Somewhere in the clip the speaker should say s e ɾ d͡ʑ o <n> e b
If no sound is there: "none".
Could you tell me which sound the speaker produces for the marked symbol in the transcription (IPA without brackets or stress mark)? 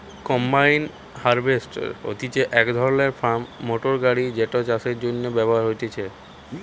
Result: nː